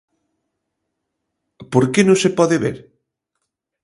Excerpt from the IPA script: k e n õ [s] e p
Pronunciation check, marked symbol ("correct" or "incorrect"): correct